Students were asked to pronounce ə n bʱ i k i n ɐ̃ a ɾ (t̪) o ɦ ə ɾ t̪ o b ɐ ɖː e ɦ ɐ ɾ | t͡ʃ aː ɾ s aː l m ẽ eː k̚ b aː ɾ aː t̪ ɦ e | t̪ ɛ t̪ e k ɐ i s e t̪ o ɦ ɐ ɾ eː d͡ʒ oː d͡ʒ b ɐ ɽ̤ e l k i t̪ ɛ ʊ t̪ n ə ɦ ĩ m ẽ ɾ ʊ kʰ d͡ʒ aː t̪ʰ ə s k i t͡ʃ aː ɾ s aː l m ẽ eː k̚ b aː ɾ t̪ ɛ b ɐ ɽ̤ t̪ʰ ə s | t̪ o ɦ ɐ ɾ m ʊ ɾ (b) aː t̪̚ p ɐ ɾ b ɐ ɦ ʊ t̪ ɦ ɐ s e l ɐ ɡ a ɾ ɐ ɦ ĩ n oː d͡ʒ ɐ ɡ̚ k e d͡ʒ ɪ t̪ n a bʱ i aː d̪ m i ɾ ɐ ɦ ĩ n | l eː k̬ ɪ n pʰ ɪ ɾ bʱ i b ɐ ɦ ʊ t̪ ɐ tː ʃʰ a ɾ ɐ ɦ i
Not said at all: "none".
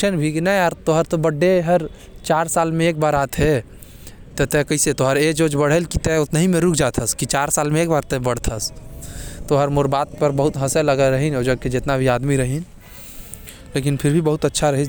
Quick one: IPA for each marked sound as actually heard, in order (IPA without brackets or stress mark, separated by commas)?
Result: t̪, b